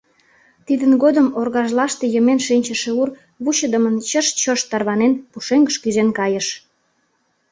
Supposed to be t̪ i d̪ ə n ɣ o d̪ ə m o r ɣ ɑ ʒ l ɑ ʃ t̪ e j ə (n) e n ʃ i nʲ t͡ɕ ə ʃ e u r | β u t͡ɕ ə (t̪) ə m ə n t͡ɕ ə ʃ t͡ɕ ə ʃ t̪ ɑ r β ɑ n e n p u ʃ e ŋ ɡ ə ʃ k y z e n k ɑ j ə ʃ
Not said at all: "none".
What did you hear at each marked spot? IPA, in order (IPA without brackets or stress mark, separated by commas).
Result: m, d̪